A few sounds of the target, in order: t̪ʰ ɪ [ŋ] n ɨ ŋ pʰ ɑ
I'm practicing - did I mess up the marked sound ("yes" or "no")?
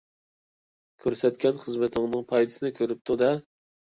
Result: no